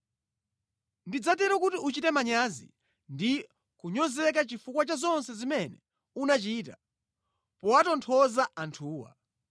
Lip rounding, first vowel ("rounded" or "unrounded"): unrounded